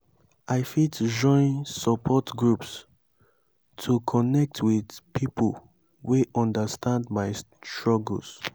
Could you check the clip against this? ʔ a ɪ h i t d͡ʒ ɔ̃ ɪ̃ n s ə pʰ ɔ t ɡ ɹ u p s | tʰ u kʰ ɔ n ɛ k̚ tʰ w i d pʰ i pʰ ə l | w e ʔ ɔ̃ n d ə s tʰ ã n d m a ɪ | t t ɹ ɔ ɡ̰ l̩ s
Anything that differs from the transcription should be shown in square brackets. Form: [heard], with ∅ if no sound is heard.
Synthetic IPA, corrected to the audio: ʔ a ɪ [f] i t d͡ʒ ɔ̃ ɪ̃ n s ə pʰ ɔ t ɡ ɹ u p s | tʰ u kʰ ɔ n ɛ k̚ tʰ w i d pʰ i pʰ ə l | w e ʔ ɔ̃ n d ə s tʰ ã n d m a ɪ | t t ɹ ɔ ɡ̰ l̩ s